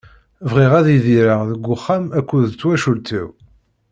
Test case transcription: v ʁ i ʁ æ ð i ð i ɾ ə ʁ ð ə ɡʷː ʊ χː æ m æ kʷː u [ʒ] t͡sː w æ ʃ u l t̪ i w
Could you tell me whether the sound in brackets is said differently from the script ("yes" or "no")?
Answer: yes